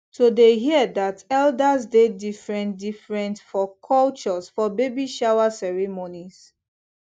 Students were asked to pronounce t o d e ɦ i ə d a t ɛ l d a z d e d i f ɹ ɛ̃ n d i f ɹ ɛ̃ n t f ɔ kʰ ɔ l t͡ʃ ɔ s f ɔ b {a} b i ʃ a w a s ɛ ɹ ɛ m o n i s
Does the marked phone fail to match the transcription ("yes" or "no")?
yes